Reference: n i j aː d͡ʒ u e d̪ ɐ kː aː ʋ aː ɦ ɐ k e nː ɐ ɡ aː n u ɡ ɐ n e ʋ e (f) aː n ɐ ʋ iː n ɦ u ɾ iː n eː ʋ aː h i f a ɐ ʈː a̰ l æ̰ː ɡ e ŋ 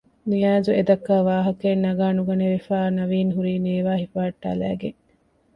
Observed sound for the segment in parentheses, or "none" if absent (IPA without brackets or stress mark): f